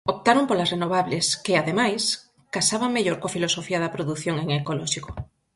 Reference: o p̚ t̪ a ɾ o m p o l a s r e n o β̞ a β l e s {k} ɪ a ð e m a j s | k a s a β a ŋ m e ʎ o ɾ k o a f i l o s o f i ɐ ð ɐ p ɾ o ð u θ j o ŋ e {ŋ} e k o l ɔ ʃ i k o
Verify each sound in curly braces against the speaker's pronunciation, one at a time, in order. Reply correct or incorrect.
correct, correct

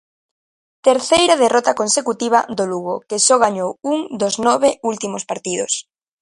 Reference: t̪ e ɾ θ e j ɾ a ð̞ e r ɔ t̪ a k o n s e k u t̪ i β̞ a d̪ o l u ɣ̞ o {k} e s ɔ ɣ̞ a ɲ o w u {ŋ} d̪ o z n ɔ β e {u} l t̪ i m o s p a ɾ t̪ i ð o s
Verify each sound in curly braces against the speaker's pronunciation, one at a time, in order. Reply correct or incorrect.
correct, correct, correct

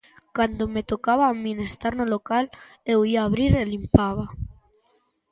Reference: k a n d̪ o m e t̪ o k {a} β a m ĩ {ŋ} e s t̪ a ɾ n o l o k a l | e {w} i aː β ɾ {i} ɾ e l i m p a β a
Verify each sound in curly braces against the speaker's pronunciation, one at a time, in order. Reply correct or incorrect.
correct, incorrect: n, correct, correct

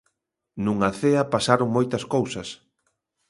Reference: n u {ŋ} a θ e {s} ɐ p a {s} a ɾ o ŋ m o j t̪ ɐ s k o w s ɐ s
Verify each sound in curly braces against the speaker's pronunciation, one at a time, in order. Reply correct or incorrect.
correct, incorrect: none, correct

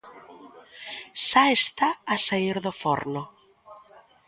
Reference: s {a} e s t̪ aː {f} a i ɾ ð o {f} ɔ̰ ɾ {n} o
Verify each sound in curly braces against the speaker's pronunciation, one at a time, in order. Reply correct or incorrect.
correct, incorrect: s, correct, correct

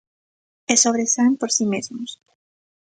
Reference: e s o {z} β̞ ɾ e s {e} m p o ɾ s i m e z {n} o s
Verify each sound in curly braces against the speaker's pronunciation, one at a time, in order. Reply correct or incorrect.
incorrect: none, incorrect: a, incorrect: m

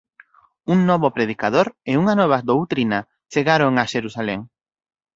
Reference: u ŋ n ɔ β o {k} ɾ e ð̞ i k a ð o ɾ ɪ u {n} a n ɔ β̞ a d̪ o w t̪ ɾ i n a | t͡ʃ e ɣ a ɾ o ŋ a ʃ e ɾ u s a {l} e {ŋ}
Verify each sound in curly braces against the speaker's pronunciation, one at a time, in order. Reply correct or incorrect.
incorrect: p, incorrect: ŋ, correct, correct

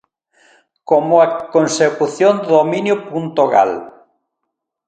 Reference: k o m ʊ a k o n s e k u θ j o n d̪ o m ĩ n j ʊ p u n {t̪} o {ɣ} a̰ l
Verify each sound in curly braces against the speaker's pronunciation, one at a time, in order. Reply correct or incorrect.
correct, correct

